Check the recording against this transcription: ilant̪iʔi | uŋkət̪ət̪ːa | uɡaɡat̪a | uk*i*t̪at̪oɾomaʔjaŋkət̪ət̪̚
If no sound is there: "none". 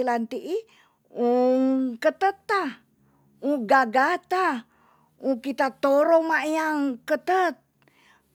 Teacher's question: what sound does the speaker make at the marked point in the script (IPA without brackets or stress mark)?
i